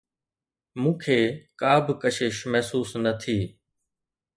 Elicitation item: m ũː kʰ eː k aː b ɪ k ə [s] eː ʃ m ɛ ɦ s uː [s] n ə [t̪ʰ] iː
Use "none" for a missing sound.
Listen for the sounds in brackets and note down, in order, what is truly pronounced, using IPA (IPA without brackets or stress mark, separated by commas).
ʃ, s, t̪ʰ